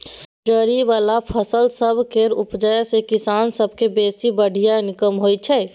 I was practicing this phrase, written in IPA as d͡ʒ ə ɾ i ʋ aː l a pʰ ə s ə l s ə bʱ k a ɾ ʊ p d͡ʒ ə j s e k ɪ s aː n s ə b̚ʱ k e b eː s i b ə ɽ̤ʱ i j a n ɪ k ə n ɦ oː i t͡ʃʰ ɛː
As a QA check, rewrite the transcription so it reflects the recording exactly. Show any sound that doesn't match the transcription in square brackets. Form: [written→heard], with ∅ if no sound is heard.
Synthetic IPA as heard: d͡ʒ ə ɾ i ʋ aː l a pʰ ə s ə l s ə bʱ k [a→e] ɾ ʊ p d͡ʒ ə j s e k ɪ s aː n s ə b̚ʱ k e b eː s i b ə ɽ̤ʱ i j a n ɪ k ə [n→m] ɦ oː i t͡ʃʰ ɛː